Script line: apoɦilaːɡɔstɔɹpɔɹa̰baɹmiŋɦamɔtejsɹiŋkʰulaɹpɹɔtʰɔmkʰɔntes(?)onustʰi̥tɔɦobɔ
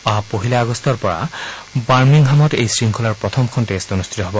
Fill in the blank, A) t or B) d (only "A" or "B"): A